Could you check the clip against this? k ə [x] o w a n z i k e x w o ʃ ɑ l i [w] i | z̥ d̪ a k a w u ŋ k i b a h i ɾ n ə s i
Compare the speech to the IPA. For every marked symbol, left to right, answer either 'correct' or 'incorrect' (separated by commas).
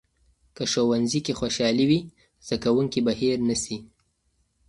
incorrect, correct